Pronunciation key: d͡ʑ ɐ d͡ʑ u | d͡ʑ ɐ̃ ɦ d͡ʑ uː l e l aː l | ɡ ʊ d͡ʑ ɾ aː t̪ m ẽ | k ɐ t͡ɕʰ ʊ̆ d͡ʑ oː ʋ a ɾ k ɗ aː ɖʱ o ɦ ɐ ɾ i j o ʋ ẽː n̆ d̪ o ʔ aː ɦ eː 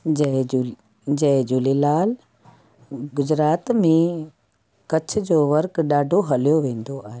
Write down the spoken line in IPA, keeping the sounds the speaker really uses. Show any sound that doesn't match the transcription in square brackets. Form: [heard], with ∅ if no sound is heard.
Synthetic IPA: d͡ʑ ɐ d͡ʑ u | d͡ʑ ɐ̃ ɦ d͡ʑ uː l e l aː l | ɡ ʊ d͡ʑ ɾ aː t̪ m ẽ | k ɐ t͡ɕʰ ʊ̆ d͡ʑ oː ʋ [ɐ] ɾ k ɗ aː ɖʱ o ɦ ɐ [l] i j o ʋ ẽː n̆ d̪ o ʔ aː ɦ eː